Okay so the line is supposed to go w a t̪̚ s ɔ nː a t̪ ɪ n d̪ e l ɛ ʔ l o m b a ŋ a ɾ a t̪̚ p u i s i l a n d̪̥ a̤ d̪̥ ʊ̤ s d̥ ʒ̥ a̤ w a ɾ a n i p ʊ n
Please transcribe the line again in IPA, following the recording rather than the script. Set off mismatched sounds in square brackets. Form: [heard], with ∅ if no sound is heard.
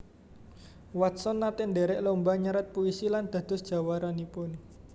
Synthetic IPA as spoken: w a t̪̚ s ɔ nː a t̪ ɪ n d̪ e [ɾ] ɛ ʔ l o m b a [ɲ] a ɾ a t̪̚ p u i s i l a n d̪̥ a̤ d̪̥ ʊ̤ s d̥ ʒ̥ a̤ w a ɾ a n i p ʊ n